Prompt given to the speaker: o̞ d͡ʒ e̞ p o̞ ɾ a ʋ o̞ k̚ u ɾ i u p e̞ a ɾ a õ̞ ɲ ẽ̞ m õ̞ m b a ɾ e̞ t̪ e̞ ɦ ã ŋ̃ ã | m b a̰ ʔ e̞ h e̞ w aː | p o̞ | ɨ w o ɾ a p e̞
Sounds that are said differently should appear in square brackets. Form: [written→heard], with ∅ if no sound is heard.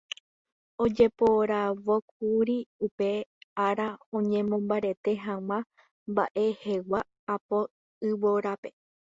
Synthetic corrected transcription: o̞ d͡ʒ e̞ p o̞ ɾ a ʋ o̞ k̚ u ɾ i u p e̞ a ɾ a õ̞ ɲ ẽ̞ m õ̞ m b a ɾ e̞ t̪ e̞ ɦ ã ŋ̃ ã | m b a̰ ʔ e̞ h e̞ w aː | p o̞ | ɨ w o ɾ a p e̞